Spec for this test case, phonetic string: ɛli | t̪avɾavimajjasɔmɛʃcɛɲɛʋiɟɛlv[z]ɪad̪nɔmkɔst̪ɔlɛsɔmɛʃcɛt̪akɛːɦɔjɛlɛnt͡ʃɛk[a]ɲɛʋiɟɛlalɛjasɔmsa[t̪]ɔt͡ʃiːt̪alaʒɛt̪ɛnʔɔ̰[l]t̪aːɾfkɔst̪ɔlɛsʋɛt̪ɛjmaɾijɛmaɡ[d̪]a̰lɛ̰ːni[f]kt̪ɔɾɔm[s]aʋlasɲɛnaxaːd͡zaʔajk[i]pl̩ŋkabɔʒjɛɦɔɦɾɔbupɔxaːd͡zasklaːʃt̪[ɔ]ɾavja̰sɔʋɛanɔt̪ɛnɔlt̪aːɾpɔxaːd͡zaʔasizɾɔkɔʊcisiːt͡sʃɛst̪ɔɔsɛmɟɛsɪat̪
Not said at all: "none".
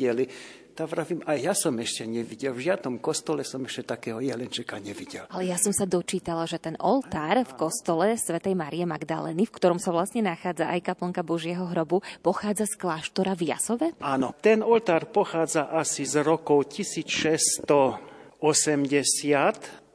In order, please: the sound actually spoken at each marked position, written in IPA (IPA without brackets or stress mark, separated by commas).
ʒ, a, d̪, l, d̪, f, s, a, ɔ